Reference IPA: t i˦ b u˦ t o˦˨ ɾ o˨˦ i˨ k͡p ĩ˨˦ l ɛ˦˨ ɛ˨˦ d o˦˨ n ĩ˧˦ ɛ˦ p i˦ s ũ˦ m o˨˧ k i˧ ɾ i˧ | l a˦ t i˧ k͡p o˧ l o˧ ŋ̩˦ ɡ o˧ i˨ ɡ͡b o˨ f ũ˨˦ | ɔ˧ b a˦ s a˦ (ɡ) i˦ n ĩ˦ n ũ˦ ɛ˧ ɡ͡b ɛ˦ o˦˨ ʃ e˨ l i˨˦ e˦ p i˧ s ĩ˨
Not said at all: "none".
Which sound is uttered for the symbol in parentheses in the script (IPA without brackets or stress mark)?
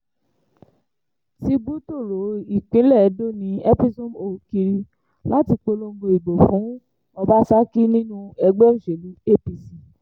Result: k